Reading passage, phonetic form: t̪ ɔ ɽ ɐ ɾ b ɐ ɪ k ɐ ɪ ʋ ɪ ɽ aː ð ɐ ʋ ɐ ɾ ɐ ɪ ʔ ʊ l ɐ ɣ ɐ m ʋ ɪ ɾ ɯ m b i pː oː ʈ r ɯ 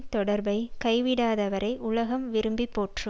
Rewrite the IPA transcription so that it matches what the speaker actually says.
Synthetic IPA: t̪ ɔ ɽ ɐ ɾ b ɐ ɪ k ɐ ɪ ʋ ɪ ɽ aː ð ɐ ʋ ɐ ɾ ɐ ɪ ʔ ʊ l ɐ ɣ ɐ m ʋ ɪ ɾ ɯ m b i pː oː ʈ r ɯ